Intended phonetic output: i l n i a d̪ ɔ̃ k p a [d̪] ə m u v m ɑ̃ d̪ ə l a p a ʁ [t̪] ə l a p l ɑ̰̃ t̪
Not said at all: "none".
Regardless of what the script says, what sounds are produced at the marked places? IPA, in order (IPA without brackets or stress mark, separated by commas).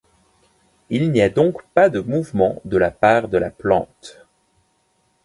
d̪, d̪